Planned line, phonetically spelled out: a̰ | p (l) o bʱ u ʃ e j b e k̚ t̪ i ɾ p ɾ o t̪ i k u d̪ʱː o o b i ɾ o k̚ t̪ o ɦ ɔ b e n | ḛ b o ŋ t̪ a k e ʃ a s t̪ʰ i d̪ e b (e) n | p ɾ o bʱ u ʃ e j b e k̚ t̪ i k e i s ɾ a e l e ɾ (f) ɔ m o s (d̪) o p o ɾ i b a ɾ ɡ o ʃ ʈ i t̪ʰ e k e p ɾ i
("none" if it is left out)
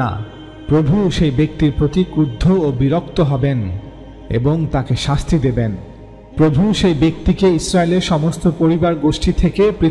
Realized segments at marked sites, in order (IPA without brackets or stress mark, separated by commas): ɾ, e, ʃ, t̪